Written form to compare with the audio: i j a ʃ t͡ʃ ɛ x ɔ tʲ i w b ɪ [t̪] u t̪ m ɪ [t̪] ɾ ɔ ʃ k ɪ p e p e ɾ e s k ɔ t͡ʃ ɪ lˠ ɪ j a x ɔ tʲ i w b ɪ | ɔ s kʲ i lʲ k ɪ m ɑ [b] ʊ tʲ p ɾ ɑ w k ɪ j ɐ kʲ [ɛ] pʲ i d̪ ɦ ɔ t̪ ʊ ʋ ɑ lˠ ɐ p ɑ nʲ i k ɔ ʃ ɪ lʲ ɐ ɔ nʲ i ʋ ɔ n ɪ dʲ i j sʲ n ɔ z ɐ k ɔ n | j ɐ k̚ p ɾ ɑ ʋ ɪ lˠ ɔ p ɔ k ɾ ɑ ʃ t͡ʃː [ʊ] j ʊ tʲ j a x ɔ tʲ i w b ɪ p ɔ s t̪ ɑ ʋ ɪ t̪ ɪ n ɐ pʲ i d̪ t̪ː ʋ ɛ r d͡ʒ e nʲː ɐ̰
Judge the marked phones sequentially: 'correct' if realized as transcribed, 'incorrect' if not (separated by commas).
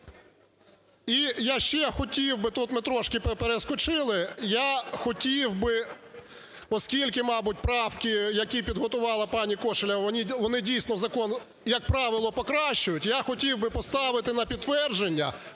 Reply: correct, correct, correct, incorrect, correct